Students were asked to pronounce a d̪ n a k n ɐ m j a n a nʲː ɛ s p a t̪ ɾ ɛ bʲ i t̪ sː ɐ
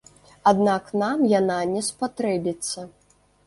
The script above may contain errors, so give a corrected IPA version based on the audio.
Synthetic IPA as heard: a d̪ n a k n a m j a n a nʲ ɛ s p a t̪ ɾ ɛ bʲ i t̪ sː ɐ